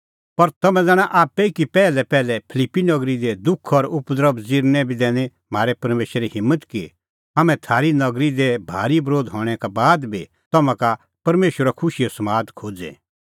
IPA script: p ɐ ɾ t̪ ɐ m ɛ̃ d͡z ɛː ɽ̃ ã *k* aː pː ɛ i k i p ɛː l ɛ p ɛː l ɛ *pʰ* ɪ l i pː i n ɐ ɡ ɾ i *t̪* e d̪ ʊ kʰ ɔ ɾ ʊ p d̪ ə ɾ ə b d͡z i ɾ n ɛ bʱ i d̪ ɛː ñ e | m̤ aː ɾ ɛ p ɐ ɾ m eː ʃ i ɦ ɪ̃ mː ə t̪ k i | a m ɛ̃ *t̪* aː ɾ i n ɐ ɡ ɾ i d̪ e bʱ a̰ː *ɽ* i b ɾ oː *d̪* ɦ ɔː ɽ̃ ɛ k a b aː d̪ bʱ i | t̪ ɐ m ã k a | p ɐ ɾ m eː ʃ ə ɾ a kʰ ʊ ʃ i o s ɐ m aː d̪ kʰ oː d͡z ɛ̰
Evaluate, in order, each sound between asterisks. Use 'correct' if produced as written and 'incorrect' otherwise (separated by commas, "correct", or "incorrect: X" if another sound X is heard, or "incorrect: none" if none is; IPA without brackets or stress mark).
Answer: incorrect: ʔ, correct, incorrect: d̪, incorrect: t̪ʰ, incorrect: ɾ, correct